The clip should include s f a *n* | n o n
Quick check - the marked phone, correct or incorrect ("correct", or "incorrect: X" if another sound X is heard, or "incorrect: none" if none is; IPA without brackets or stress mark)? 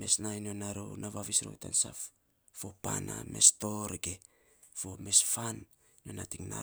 correct